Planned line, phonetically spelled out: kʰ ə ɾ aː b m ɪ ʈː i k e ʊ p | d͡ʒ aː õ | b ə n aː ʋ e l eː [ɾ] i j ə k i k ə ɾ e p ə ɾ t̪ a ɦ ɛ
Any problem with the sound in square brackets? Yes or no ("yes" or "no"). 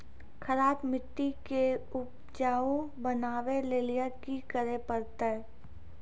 yes